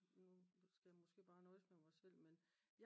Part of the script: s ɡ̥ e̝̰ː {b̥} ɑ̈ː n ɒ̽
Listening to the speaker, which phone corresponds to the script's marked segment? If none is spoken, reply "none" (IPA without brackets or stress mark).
b̥